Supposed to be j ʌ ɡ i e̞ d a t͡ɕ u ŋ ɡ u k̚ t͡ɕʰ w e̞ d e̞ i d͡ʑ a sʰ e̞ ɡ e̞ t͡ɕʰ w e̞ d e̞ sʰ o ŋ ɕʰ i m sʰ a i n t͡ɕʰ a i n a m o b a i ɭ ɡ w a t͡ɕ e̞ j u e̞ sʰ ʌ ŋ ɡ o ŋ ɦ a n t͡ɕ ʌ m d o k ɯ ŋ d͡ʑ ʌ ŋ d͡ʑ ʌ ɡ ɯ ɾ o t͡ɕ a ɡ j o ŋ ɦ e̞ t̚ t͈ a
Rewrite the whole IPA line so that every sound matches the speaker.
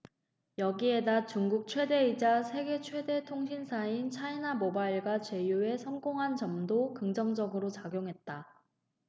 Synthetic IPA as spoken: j ʌ ɡ i e̞ d a t͡ɕ u ŋ ɡ u k̚ t͡ɕʰ w e̞ d e̞ i d͡ʑ a sʰ e̞ ɡ e̞ t͡ɕʰ w e̞ d e̞ tʰ o ŋ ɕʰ i n sʰ a i n t͡ɕʰ a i n a m o b a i ɭ ɡ w a t͡ɕ e̞ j u e̞ sʰ ʌ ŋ ɡ o ŋ ɦ a n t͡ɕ ʌ m d o k ɯ ŋ d͡ʑ ʌ ŋ d͡ʑ ʌ ɡ ɯ ɾ o t͡ɕ a ɡ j o ŋ ɦ e̞ t̚ t͈ a